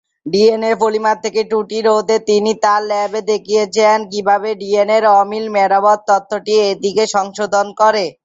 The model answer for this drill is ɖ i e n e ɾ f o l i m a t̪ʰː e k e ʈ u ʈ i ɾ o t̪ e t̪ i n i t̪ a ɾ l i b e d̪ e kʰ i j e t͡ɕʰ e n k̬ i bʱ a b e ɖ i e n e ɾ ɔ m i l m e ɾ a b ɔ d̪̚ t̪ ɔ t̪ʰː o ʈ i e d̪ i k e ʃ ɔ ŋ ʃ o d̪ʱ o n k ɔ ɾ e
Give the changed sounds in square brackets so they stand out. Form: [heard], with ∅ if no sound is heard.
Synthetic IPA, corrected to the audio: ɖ i e n e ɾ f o l i m a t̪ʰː e k e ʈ u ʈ i ɾ o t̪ e t̪ i n i t̪ a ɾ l [ɛ] b e d̪ e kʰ i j e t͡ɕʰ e n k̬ i bʱ a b e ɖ i e n e ɾ ɔ m i l m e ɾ a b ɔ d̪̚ t̪ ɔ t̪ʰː o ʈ i e d̪ i k e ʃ ɔ ŋ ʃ o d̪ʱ o n k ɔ ɾ e